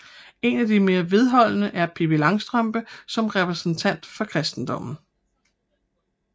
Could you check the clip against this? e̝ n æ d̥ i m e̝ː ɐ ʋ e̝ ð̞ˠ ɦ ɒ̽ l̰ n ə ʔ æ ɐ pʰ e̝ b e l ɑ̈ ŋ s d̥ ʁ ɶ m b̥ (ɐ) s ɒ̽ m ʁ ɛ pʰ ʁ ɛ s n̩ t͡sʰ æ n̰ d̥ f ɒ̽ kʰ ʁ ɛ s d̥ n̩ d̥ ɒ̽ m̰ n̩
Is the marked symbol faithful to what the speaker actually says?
no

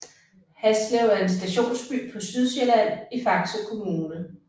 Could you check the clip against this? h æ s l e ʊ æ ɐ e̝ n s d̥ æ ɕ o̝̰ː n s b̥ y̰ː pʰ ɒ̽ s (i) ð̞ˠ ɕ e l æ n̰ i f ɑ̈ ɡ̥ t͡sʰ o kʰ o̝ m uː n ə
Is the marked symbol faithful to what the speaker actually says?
no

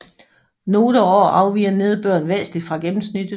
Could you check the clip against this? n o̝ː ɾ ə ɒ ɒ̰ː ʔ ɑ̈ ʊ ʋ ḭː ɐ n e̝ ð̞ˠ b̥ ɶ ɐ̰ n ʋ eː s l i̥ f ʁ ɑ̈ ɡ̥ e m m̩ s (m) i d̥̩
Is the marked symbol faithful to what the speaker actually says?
no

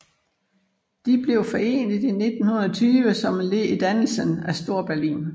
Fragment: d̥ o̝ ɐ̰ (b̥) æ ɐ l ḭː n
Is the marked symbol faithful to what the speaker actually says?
yes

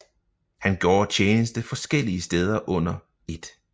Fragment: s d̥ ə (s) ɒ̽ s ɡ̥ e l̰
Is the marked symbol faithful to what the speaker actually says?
no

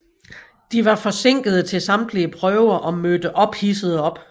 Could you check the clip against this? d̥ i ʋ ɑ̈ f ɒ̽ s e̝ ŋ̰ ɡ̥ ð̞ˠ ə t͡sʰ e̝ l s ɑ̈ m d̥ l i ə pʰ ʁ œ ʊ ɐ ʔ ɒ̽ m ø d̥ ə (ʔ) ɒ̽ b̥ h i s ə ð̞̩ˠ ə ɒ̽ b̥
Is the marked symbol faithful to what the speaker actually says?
yes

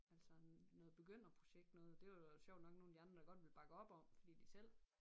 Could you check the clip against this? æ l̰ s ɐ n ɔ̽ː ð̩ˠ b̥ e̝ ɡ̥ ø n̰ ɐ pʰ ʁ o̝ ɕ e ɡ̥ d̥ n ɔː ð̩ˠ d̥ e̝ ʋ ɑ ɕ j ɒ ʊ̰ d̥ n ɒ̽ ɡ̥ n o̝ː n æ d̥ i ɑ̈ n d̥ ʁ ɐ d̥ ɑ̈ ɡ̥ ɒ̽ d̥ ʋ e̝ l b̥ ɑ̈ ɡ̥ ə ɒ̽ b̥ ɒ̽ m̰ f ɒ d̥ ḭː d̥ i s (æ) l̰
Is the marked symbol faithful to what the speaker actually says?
no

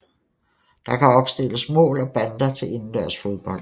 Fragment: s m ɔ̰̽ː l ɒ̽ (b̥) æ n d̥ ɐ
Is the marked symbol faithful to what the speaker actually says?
yes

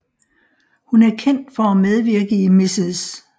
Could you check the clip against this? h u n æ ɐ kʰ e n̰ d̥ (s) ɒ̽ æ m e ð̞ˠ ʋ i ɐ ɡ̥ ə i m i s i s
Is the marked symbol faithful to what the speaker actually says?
no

